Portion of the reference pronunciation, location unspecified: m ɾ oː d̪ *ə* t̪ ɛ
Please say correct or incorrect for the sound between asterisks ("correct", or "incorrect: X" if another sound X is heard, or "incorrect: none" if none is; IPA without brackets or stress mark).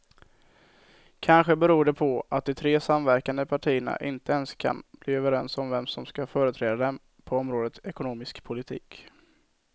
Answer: correct